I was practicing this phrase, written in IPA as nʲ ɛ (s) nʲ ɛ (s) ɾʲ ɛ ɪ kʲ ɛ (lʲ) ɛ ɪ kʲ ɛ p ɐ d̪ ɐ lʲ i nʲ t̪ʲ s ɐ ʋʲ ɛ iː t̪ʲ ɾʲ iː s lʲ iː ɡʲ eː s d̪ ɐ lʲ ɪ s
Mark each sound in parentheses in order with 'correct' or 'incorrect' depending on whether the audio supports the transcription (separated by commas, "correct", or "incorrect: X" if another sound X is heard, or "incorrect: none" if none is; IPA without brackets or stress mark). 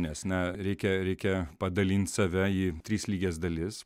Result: correct, incorrect: none, incorrect: ɾʲ